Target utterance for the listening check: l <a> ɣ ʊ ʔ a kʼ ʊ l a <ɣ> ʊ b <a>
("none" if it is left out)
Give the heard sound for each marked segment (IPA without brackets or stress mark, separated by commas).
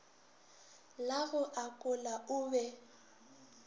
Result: a, none, ɛ